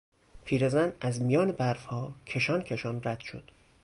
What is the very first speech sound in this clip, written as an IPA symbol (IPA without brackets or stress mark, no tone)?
pʰ